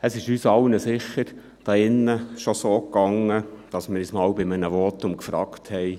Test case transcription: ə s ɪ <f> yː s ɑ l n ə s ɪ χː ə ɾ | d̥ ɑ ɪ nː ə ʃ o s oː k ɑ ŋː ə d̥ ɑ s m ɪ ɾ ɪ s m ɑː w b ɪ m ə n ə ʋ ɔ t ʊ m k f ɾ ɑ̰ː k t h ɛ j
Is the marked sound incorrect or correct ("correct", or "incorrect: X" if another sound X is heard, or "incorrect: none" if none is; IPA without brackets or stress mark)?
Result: incorrect: ʃ